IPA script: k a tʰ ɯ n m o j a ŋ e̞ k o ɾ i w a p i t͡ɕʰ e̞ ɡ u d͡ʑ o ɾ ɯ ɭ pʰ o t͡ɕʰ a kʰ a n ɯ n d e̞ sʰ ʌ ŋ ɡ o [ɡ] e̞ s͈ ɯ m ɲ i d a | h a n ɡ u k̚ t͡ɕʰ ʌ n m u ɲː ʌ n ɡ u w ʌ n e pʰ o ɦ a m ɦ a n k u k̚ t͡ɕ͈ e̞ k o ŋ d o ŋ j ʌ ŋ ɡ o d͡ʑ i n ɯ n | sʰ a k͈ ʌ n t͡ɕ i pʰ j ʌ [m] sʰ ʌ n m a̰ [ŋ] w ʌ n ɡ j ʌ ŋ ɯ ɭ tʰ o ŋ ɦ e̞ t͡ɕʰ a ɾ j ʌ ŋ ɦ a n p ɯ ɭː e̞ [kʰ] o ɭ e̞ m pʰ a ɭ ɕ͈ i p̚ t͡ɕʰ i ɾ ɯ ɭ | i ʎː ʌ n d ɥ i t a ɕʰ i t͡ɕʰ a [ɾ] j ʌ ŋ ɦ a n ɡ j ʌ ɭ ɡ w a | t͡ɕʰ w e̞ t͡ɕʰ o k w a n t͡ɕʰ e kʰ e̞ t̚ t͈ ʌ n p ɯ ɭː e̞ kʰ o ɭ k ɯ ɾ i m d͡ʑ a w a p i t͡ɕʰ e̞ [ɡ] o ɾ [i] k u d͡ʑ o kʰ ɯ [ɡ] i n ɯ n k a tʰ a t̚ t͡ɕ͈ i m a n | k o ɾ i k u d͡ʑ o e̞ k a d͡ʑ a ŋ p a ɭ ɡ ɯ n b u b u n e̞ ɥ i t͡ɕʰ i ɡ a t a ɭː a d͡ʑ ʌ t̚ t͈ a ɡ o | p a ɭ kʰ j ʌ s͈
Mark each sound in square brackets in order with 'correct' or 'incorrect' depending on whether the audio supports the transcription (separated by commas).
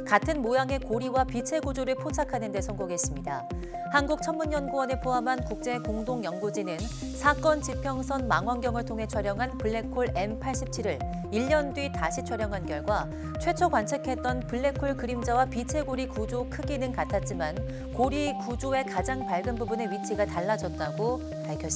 correct, incorrect, correct, correct, correct, correct, correct, correct